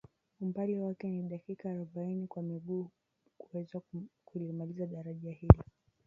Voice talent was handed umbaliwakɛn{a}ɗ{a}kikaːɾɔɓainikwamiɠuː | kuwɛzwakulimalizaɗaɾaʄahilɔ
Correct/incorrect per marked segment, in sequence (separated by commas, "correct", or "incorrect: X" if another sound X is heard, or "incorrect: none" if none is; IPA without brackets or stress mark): incorrect: i, correct